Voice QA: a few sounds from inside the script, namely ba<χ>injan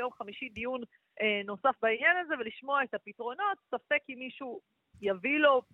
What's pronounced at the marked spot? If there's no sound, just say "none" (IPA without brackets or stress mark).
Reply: none